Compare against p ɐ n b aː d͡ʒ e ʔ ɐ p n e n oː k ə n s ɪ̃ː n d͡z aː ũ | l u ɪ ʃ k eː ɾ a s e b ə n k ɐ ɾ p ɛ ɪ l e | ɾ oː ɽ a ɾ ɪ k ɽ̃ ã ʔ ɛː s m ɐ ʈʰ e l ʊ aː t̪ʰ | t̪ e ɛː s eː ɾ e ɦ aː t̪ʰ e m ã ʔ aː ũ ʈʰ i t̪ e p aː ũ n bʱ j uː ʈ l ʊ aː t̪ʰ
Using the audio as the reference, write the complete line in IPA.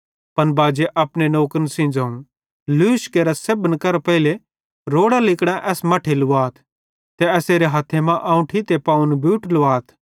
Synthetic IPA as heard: p ɐ n b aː d͡ʒ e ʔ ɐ p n e n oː k ə n s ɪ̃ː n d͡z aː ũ | l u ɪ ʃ k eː ɾ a s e b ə n k ɐ ɾ p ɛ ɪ l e | ɾ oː ɽ a l ɪ k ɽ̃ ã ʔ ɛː s m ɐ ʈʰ e l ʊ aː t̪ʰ | t̪ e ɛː s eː ɾ e ɦ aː t̪ʰ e m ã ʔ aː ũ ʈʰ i t̪ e p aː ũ n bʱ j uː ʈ l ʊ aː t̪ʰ